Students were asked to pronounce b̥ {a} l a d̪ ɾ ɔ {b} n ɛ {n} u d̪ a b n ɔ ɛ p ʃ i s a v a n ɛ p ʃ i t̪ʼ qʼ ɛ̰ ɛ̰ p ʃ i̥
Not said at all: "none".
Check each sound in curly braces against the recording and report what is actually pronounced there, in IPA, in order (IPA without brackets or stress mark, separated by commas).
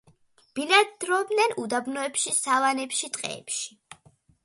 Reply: i, b, n